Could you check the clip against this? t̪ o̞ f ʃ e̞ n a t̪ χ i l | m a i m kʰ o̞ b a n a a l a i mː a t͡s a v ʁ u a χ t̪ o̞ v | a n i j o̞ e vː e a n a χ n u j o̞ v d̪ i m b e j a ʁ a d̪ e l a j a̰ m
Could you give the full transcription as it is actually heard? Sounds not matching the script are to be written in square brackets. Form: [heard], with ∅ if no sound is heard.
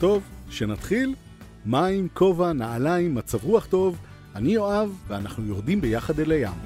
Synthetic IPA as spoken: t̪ o̞ [v] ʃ e̞ n a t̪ χ i l | m a i m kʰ o̞ [v] a n a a l a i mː a t͡s a v ʁ u a χ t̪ o̞ v | a n i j o̞ [a] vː e a n a χ n u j o̞ [ʁ] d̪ i m b e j a [χ] a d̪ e l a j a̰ m